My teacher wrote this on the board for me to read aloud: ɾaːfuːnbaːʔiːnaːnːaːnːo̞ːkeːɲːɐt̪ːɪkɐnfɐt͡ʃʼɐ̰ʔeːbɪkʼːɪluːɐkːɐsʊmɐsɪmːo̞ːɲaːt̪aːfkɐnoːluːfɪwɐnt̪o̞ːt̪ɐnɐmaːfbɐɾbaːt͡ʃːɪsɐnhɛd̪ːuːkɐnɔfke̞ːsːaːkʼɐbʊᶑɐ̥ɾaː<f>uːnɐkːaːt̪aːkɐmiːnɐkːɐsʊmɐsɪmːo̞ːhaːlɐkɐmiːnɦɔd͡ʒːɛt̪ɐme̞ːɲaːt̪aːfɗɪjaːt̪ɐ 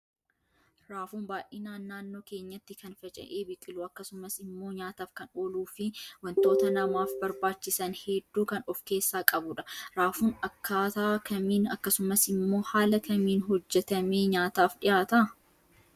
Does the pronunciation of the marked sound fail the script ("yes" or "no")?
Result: no